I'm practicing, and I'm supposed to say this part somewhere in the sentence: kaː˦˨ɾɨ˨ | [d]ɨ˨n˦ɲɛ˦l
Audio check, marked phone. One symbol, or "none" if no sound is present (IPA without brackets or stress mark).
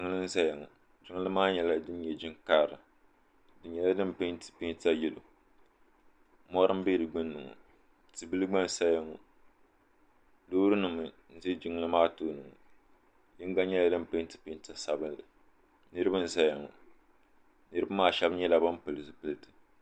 d